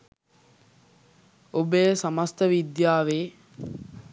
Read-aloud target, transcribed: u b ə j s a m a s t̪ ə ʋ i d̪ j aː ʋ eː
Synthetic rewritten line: o b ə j s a m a s t̪ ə ʋ i d̪ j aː ʋ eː